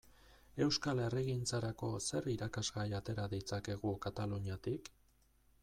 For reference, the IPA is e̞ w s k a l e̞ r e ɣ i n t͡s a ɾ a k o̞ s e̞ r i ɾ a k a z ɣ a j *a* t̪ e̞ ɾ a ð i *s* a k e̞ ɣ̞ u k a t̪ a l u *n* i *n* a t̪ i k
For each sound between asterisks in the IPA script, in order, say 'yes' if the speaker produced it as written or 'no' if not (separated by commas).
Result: yes, no, no, no